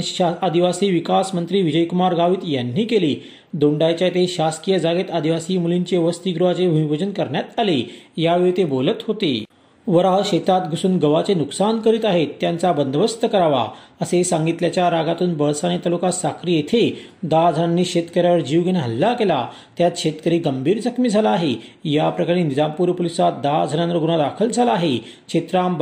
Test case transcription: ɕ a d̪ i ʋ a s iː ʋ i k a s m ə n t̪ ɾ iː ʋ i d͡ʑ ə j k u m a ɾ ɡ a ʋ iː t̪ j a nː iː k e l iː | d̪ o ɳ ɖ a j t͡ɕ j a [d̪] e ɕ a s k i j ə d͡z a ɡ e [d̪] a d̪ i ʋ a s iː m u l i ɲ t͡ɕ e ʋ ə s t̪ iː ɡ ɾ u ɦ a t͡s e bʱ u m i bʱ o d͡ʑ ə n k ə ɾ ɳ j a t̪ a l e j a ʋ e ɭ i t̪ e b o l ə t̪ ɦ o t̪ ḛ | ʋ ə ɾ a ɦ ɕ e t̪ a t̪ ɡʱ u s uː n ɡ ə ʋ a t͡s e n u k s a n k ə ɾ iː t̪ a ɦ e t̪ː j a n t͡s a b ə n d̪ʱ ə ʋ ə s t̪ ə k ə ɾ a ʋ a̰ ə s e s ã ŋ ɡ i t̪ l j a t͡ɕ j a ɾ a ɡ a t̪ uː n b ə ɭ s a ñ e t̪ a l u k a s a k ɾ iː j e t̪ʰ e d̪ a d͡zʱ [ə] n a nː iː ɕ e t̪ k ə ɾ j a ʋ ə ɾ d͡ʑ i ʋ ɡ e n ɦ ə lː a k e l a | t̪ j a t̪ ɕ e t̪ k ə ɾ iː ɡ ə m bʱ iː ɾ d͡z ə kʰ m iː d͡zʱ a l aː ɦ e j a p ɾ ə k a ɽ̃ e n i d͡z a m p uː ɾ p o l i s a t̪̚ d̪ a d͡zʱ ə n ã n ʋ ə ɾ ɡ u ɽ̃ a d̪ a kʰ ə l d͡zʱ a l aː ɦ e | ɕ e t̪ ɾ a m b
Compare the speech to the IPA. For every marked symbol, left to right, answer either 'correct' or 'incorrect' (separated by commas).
incorrect, incorrect, correct